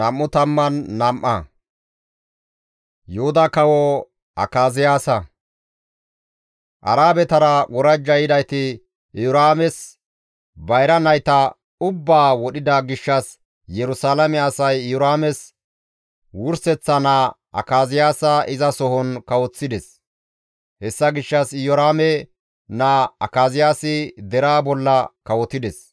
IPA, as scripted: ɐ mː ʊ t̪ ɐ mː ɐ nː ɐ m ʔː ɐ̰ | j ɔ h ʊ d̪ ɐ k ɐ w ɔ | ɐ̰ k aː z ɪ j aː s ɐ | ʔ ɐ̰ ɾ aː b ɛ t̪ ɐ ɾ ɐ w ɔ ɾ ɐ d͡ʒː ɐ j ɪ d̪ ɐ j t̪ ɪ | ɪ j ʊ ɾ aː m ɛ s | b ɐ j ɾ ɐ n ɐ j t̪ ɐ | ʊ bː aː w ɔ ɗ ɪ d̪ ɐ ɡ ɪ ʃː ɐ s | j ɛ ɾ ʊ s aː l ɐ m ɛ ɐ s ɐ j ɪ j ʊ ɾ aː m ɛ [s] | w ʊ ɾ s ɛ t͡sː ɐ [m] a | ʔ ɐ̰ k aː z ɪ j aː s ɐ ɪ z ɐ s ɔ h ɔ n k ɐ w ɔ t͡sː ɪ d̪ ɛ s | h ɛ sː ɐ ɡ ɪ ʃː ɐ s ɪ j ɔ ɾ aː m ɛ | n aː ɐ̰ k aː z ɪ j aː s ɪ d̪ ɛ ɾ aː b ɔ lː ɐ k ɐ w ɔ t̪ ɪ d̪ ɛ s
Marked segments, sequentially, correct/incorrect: correct, incorrect: n

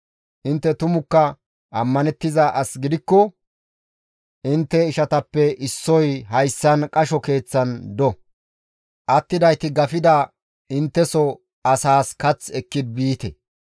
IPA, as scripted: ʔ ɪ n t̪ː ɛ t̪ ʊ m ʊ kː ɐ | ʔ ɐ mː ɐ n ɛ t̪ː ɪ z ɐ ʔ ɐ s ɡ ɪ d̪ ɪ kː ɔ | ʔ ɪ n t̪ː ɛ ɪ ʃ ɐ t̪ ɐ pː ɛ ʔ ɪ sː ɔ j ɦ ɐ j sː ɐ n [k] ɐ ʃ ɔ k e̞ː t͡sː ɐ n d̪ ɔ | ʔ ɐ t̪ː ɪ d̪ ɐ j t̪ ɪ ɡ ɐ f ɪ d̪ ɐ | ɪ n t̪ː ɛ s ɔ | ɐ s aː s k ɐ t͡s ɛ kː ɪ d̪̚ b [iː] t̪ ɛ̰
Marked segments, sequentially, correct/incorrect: incorrect: kʼ, correct

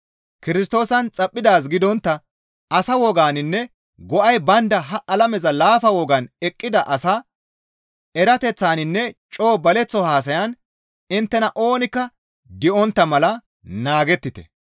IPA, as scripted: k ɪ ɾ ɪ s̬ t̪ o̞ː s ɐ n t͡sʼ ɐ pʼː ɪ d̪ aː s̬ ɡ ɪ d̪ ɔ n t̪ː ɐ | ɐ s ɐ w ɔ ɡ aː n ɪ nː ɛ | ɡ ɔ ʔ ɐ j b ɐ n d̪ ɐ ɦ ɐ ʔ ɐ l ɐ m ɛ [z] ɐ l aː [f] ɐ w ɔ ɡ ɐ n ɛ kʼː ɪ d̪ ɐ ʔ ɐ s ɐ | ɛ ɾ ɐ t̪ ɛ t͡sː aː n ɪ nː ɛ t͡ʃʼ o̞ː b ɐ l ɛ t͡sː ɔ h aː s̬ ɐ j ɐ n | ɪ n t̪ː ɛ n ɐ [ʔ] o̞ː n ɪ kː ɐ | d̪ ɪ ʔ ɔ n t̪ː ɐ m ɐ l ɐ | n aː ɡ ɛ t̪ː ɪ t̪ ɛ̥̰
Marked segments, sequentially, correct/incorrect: correct, correct, correct

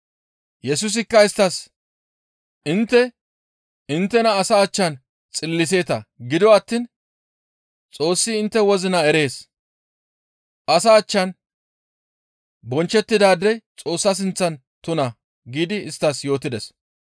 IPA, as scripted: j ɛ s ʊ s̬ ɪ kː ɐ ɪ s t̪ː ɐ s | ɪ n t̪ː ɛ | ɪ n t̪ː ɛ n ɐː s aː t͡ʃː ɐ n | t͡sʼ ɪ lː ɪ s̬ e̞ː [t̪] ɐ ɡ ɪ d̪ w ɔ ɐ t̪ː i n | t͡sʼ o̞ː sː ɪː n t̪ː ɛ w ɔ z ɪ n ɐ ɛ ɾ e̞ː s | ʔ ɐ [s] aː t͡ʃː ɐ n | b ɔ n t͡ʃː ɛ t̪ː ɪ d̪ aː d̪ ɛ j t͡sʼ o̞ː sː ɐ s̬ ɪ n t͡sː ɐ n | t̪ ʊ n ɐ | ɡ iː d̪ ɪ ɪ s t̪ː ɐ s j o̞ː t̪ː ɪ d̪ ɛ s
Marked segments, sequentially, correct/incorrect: correct, correct

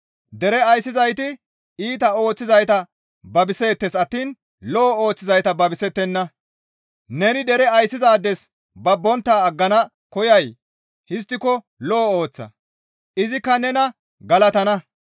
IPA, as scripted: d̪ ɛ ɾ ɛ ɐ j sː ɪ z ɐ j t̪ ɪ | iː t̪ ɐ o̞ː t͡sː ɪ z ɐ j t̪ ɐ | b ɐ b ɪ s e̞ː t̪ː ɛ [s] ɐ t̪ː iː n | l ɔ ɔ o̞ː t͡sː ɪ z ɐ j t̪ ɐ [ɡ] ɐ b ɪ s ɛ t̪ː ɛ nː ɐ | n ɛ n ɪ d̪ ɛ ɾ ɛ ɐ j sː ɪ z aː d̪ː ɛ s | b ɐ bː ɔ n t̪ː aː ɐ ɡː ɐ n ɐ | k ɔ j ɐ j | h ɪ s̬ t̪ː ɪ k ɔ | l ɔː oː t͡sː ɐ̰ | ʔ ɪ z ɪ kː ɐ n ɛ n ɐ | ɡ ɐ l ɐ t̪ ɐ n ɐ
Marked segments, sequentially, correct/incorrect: correct, incorrect: b

